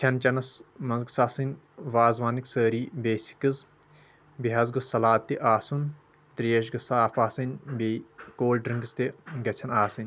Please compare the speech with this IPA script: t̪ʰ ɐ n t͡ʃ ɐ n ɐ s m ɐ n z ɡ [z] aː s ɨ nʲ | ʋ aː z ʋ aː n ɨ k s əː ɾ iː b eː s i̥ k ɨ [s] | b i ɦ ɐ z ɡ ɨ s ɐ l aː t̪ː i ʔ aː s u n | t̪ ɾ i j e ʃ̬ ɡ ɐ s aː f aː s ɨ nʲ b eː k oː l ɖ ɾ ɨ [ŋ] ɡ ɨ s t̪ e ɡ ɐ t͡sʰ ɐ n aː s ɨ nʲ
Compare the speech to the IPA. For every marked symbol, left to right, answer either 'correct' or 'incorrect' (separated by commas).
incorrect, incorrect, correct